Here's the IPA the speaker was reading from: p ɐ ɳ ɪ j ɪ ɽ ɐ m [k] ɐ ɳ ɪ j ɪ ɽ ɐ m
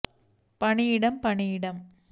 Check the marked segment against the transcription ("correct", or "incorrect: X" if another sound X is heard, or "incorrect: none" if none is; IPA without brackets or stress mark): incorrect: p